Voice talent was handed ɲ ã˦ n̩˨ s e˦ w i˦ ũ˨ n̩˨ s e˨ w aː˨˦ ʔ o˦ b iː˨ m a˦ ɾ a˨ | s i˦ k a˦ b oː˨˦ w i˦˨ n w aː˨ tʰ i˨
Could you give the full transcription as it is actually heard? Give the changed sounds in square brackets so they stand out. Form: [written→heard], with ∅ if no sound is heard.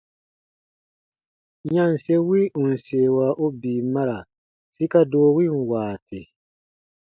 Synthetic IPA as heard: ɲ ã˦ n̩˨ s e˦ w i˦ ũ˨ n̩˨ s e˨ w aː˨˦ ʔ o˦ b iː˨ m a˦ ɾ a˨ | s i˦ k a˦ [b→d] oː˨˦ w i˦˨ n w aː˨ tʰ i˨